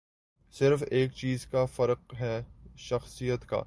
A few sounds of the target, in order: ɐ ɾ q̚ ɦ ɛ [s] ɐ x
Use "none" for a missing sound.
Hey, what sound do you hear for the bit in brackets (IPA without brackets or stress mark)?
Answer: ʃ